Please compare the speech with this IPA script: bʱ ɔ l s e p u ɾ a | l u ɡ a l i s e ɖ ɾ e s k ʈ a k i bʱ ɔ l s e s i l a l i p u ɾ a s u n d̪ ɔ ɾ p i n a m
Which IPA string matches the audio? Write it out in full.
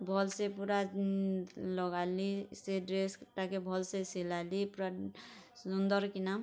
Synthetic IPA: bʱ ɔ l s e p u ɾ a | l ɔ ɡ a l i s e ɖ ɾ e s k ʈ a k e bʱ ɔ l s e s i l a l i p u ɾ a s u n d̪ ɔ ɾ k i n a m